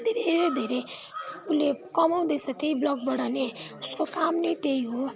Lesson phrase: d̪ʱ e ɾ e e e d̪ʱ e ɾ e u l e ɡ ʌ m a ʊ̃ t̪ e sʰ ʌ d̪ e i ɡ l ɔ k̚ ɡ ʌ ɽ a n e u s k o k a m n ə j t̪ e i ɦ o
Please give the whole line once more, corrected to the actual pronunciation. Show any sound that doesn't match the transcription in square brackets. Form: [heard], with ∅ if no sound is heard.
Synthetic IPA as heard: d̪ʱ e ɾ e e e d̪ʱ e ɾ e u l e [k] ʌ m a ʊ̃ [d̪] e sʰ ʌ [t̪] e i [b] l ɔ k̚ [b] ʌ ɽ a n e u s k o k a m n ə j t̪ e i ɦ o